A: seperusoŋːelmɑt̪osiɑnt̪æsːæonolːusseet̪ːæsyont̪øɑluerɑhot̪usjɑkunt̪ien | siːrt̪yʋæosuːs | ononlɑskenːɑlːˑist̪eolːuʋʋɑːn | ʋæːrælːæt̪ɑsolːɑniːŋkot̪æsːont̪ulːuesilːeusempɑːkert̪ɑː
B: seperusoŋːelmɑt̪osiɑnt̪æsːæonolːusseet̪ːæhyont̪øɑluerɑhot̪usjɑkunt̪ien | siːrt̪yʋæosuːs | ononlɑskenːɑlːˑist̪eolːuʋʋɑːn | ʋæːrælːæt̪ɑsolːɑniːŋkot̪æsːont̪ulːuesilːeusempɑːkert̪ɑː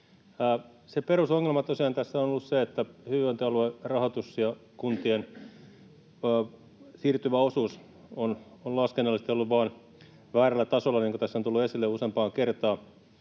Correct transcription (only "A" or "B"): B